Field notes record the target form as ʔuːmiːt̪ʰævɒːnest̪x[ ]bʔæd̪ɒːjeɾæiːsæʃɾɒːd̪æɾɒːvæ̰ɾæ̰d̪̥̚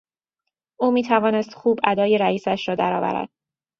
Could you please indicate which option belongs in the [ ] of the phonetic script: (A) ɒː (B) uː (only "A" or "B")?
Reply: B